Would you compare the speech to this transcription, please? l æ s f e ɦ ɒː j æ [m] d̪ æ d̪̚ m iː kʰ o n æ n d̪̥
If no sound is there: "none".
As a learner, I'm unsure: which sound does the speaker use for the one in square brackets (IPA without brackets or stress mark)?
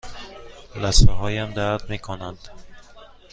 m